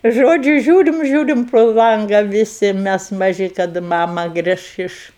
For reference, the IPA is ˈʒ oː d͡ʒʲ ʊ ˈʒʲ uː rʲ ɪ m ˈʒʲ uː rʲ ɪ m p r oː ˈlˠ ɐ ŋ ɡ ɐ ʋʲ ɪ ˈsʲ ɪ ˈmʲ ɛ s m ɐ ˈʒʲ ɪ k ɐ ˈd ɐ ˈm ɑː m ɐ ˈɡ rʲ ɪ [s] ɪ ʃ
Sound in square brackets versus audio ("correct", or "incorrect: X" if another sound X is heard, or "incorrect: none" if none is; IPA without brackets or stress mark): incorrect: ʃ